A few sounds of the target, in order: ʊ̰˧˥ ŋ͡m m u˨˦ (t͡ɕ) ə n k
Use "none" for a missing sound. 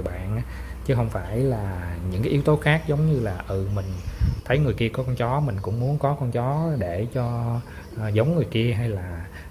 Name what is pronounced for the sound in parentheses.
none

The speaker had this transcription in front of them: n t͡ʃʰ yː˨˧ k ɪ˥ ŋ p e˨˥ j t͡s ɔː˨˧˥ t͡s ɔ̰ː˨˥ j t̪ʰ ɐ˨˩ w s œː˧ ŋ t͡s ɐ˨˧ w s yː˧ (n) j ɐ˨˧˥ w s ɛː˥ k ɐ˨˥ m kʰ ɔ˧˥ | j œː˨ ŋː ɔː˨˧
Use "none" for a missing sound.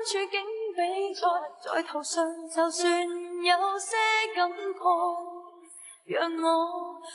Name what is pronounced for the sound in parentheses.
n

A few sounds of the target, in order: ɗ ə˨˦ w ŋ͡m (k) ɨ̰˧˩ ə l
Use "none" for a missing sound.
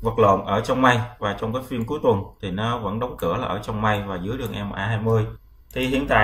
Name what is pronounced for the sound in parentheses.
k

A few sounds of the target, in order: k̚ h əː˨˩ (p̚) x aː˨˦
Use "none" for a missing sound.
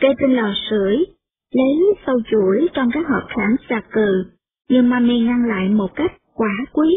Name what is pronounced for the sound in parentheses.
p̚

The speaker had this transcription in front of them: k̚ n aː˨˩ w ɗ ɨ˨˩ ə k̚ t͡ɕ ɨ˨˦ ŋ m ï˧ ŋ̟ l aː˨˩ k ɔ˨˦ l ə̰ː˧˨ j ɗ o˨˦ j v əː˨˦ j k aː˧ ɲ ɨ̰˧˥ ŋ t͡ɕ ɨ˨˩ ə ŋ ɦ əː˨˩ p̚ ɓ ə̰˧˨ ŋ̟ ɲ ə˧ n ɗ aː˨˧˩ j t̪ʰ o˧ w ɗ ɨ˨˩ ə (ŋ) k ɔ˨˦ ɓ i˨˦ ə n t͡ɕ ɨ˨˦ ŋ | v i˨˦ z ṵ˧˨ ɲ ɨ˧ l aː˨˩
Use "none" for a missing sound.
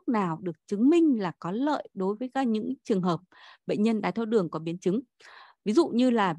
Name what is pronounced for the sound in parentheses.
ŋ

